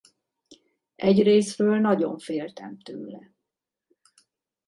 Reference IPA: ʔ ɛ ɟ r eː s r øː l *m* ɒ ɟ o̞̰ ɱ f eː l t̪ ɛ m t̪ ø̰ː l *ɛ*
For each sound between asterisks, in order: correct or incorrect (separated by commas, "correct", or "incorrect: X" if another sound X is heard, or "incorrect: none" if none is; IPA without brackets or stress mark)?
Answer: incorrect: n, correct